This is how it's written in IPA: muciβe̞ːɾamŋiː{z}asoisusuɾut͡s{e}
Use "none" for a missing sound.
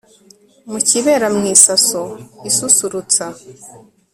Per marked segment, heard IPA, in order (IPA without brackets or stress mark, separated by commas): s, a